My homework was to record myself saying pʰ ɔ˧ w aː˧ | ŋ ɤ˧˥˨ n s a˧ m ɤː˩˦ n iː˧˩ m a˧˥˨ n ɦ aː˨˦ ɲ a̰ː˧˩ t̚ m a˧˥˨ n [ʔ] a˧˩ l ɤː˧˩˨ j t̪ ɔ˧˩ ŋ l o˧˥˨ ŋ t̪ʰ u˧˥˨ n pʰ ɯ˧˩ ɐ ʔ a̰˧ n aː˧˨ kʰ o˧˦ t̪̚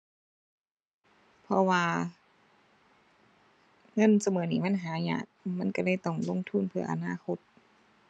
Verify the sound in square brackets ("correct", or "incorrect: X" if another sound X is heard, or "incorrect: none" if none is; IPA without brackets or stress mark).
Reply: incorrect: k